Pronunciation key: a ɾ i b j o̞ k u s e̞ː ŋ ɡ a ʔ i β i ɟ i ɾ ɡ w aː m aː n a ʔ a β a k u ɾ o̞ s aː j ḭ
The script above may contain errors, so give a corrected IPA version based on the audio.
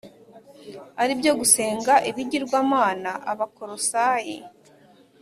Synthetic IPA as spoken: a ɾ i b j o̞ ɡ u s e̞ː ŋ ɡ a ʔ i β i ɟ i ɾ ɡ w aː m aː n a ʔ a β a k o ɾ o̞ s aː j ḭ